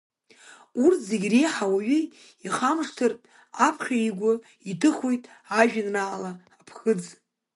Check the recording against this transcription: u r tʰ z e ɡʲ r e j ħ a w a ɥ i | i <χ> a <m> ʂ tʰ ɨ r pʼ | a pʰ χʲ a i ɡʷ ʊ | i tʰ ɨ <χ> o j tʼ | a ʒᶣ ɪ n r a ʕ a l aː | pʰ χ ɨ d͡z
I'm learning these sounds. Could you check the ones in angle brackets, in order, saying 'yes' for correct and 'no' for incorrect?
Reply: yes, yes, yes

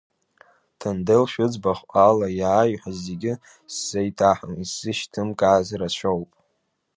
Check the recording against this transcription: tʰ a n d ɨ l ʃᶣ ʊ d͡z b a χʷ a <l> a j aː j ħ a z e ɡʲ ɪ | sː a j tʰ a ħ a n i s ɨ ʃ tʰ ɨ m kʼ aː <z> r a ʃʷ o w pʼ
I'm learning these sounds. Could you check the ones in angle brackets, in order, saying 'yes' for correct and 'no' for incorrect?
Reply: yes, yes

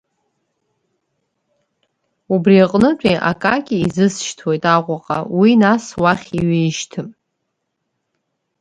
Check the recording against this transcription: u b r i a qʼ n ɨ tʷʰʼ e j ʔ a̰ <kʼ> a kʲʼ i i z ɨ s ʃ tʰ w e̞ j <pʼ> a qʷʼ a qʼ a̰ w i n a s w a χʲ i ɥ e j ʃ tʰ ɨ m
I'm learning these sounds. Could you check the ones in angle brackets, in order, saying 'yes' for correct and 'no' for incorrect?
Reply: yes, no

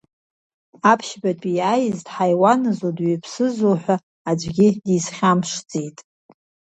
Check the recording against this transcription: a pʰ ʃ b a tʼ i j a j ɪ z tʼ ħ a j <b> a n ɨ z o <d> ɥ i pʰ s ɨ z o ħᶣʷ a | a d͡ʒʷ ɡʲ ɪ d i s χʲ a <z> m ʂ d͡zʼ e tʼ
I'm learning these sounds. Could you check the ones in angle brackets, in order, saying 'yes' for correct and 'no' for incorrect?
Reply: no, yes, no

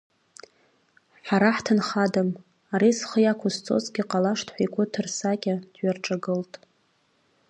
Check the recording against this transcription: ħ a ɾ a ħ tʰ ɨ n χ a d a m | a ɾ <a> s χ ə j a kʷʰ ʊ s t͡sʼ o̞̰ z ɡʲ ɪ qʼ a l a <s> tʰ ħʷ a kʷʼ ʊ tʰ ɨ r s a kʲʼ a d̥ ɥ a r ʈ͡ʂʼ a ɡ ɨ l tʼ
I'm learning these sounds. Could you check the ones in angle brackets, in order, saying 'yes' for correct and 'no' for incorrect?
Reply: no, no

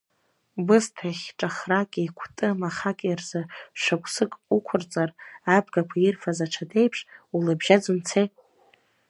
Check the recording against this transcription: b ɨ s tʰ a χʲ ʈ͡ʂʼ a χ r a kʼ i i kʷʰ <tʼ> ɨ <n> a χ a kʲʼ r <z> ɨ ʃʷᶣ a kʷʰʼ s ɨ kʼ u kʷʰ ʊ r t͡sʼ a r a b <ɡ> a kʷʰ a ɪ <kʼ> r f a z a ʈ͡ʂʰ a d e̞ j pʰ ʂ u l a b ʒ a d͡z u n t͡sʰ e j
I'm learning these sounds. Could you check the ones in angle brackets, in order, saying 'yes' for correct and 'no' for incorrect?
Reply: yes, no, yes, yes, no

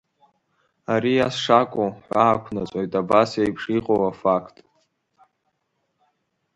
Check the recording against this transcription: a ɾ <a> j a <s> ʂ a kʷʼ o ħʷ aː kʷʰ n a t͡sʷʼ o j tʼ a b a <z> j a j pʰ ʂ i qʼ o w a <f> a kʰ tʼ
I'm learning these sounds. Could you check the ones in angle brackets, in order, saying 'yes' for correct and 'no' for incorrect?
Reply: no, yes, no, yes

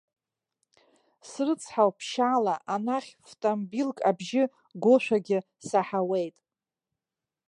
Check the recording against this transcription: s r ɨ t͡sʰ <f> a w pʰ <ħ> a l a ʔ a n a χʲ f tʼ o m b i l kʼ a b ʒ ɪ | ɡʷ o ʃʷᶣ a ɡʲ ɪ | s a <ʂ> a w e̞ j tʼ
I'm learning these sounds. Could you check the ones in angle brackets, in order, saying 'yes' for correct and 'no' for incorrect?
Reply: no, no, no

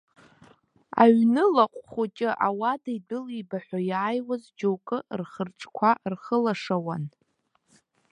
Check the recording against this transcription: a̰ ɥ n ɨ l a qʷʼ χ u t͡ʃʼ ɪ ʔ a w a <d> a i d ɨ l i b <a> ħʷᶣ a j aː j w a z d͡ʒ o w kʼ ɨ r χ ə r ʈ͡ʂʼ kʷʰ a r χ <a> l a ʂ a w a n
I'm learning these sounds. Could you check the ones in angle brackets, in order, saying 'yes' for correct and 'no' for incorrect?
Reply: yes, yes, no

